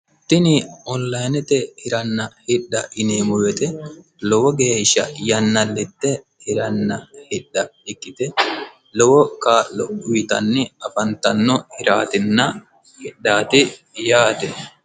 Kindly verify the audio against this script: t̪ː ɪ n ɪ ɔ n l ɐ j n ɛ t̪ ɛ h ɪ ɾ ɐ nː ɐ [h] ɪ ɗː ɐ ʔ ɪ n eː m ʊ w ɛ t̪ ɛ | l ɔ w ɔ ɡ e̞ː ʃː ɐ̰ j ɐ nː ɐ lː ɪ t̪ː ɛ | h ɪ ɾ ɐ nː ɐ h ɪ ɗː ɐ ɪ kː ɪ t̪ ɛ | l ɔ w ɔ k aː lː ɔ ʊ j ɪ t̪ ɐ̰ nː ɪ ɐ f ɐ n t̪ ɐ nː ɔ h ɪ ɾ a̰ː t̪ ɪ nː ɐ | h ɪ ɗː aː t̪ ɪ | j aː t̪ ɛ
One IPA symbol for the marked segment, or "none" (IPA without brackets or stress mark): h